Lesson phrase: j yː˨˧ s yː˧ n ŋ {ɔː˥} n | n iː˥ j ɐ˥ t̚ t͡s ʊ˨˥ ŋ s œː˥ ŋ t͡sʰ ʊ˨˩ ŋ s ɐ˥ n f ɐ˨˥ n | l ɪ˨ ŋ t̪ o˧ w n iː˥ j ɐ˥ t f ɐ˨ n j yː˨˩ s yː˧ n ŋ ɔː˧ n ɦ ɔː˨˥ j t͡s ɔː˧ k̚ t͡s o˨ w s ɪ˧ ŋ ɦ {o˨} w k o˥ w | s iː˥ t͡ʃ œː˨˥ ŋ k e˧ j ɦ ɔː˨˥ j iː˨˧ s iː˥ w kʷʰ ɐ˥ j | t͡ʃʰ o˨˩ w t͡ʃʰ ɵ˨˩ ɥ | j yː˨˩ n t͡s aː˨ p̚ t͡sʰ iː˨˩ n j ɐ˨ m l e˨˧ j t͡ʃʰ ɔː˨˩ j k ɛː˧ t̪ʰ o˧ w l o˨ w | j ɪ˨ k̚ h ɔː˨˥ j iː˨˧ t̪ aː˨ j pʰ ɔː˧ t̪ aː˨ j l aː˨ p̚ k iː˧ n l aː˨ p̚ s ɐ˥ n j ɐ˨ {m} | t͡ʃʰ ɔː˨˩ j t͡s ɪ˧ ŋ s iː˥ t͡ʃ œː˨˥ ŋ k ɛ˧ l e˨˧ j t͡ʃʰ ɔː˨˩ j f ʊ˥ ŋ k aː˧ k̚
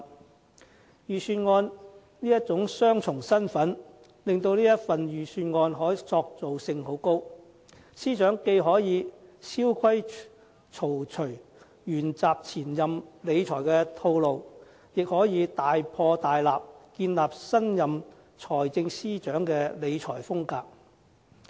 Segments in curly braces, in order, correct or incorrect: incorrect: ɔː˧, incorrect: o˨˥, correct

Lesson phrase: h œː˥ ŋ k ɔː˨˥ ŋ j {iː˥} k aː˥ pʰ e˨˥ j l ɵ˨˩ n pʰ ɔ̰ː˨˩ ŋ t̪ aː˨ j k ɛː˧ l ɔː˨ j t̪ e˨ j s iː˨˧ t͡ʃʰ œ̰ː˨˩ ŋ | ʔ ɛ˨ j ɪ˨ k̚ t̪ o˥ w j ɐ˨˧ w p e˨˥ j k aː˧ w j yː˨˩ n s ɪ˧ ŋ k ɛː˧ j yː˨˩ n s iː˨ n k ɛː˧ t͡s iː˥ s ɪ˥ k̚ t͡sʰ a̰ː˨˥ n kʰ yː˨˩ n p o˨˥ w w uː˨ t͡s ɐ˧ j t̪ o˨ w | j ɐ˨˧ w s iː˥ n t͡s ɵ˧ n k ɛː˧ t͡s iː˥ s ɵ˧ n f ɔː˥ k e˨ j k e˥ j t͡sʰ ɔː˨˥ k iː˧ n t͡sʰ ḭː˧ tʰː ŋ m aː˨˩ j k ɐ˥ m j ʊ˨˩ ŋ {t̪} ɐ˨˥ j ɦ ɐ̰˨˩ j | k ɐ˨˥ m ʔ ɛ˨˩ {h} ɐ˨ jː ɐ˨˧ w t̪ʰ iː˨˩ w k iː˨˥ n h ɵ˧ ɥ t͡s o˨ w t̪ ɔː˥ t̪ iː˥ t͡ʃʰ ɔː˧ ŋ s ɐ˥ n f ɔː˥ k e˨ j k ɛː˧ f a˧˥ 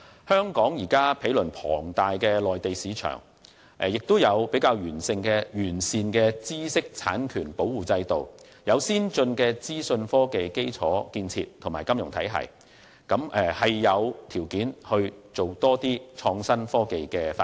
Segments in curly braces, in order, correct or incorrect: incorrect: iː˨˩, incorrect: t̪ʰ, correct

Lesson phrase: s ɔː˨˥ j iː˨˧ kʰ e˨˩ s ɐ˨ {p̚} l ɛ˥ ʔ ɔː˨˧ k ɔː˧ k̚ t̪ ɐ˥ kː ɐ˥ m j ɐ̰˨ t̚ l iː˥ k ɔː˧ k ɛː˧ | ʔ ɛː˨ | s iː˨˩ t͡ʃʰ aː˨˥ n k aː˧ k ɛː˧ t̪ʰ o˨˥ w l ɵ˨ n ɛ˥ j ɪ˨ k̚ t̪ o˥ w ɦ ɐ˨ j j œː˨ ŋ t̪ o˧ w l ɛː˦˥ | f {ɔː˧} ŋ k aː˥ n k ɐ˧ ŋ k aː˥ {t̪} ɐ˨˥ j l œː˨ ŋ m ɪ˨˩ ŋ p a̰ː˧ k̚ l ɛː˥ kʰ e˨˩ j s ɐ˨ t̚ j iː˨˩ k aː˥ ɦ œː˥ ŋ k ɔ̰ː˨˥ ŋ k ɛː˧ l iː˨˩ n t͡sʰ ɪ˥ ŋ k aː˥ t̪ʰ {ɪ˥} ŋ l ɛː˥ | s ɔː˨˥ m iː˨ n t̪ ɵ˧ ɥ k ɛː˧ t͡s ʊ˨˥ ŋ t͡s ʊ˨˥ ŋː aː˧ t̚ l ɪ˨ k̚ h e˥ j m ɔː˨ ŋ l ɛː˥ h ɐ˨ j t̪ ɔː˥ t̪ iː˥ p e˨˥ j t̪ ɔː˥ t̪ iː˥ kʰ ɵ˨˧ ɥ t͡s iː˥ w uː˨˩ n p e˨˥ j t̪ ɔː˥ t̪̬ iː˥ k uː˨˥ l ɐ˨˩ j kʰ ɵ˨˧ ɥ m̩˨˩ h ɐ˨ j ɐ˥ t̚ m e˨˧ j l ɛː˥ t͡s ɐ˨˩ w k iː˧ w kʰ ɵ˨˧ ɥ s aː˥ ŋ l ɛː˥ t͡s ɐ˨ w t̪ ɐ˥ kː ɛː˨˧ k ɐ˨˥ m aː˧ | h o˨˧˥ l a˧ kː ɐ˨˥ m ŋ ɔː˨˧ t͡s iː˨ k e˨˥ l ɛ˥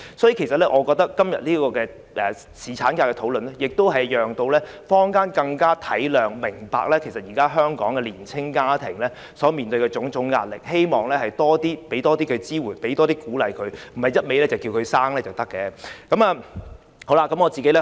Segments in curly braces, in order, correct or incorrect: incorrect: t̚, incorrect: ɔː˥, incorrect: t̪ʰ, incorrect: ɪ˨˩

